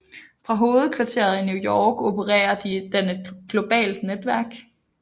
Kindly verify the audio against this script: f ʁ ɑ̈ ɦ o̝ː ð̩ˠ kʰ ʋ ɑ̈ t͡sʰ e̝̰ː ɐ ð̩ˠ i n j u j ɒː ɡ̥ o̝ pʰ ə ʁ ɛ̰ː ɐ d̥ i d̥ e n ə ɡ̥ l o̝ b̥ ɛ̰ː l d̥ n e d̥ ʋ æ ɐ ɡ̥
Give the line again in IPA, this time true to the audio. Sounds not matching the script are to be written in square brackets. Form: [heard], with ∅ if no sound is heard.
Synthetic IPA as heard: f ʁ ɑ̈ ɦ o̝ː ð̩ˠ kʰ ʋ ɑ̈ t͡sʰ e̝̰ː ɐ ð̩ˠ i n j u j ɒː ɡ̥ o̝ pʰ ə ʁ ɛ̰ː ɐ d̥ i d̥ e n ə ɡ̥ l o̝ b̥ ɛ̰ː l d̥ n e d̥ ʋ æ ɐ ɡ̥

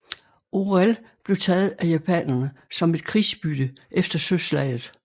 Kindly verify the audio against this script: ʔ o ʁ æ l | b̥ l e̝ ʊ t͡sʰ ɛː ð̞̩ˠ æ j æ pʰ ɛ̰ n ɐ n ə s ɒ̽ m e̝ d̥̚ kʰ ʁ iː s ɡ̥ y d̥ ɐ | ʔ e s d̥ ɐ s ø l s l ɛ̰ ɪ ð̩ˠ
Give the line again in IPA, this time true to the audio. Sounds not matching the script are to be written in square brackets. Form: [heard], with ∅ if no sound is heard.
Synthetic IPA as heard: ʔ o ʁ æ l | b̥ l e̝ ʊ t͡sʰ ɛː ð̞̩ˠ æ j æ pʰ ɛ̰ n ɐ n ə s ɒ̽ m e̝ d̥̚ kʰ ʁ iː s [b̥] y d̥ [ə] | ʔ e [f] d̥ ɐ s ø [∅] s l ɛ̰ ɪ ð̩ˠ

